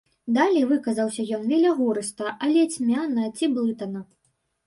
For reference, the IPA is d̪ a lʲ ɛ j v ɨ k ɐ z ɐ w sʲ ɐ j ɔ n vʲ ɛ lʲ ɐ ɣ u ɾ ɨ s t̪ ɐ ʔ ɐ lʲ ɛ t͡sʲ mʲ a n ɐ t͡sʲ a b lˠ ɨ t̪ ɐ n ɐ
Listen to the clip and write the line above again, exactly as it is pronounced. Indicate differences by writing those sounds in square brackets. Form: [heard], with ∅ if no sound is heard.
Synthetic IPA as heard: d̪ a lʲ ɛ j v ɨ k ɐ z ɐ w sʲ ɐ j ɔ n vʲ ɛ lʲ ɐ ɣ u ɾ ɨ s t̪ ɐ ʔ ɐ lʲ ɛ t͡sʲ mʲ a n ɐ t͡sʲ [i] b lˠ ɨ t̪ ɐ n ɐ